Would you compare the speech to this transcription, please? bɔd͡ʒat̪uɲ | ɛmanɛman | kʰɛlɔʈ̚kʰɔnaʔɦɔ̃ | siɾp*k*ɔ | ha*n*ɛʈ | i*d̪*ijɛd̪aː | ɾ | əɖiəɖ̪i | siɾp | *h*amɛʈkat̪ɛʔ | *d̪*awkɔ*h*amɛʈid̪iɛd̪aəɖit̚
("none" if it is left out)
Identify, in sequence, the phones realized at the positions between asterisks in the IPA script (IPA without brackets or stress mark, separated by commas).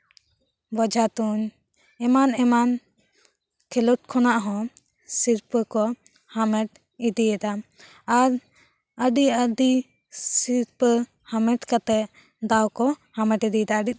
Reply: k, m, d̪, h, d̪, h